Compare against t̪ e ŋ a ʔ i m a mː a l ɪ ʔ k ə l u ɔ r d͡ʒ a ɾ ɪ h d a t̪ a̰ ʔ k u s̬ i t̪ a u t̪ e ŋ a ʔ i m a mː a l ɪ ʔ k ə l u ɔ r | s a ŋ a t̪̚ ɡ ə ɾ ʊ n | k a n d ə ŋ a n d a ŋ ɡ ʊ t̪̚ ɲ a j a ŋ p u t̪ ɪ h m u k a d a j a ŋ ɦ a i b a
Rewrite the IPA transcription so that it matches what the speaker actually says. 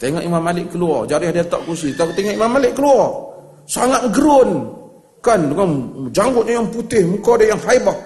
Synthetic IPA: t̪ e ŋ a ʔ i m a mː a l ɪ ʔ k ə l u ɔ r d͡ʒ a ɾ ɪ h d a t̪ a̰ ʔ k u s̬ i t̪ a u t̪ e ŋ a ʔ i m a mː a l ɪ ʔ k ə l u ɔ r | s a ŋ a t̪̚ ɡ ə ɾ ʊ n | k a n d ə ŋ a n d͡ʒ a ŋ ɡ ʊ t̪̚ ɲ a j a ŋ p u t̪ ɪ h m u k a d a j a ŋ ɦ a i b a